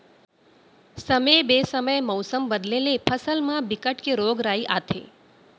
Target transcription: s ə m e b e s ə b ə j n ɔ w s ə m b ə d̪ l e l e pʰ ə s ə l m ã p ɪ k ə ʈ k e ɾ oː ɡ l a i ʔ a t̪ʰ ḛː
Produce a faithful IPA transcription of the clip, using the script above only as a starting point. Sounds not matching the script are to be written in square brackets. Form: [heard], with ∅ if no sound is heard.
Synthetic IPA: s ə m e b e s ə [m] ə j [m] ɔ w s ə m b ə d̪ l e l e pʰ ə s ə l m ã [b] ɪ k ə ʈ k e ɾ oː ɡ [ɾ] a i ʔ a t̪ʰ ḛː